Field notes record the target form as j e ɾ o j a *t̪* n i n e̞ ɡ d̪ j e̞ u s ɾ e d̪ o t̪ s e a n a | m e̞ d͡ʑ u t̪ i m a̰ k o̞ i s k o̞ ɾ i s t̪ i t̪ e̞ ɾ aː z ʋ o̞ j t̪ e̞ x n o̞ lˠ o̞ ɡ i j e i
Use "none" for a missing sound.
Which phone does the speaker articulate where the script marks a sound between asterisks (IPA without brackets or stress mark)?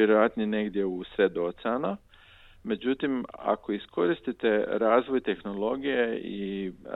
t̪